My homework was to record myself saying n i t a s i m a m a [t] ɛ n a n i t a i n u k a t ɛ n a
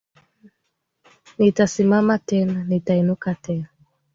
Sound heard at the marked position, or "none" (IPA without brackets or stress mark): t